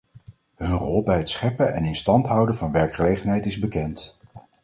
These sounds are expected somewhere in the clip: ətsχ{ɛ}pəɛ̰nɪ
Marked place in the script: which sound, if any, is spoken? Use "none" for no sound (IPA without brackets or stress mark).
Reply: ɛ